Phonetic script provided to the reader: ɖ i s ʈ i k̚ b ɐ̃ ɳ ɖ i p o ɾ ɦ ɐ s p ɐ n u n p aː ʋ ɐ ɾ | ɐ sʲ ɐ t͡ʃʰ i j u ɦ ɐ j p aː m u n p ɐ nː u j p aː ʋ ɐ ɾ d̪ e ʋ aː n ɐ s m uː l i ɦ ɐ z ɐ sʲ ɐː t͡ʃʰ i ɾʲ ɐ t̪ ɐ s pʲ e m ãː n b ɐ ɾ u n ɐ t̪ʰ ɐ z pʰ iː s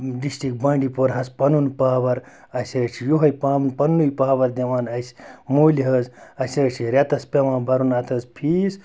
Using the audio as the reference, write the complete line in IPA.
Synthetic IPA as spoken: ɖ i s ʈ i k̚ b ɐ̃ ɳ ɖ i p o ɾ ɦ ɐ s p ɐ n u n p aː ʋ ɐ ɾ | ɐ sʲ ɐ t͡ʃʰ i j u ɦ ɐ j p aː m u n p ɐ nː u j p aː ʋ ɐ ɾ d̪ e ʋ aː n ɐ s m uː l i ɦ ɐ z ɐ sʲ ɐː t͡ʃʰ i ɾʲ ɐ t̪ ɐ s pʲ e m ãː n b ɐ ɾ u n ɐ t̪ʰ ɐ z pʰ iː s